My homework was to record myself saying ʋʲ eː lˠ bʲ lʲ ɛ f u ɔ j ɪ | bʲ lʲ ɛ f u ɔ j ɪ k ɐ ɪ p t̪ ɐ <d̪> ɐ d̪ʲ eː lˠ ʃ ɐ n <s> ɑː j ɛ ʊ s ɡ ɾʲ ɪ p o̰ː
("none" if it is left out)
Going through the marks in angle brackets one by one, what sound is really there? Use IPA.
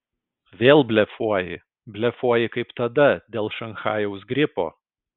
d̪, x

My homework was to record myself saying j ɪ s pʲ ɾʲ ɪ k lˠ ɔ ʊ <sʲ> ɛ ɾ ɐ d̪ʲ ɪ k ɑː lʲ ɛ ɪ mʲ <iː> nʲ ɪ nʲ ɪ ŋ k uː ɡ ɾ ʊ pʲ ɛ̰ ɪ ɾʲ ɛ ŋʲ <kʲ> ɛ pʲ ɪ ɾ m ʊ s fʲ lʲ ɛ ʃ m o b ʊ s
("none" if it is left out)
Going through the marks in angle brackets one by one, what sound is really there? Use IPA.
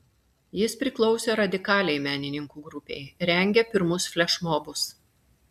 sʲ, æː, ɡʲ

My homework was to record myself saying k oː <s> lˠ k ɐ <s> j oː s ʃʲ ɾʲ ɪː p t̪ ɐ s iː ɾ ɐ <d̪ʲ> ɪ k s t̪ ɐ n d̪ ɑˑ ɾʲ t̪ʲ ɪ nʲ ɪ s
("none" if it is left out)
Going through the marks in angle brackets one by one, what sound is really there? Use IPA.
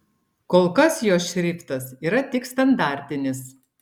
none, s, t̪ʲ

